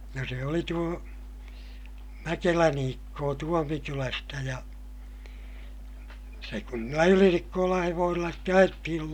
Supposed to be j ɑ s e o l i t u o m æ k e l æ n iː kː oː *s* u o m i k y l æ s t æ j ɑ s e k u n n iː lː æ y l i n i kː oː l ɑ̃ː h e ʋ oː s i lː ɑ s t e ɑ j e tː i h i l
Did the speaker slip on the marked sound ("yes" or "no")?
yes